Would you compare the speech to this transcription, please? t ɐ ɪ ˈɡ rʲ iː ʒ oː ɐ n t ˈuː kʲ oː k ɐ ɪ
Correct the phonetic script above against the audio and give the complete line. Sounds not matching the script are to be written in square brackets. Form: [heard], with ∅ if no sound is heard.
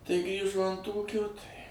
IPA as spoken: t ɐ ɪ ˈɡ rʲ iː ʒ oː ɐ n t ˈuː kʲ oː [t] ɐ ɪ